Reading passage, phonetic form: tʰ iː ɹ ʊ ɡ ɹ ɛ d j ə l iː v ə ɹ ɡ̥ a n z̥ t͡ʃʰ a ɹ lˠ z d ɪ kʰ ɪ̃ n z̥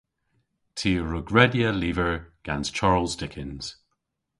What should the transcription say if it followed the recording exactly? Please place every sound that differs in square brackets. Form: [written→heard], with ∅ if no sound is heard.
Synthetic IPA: tʰ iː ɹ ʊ ɡ ɹ ɛ d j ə l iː v ə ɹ ɡ̥ a n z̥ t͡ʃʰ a ɹ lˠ z d ɪ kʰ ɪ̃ n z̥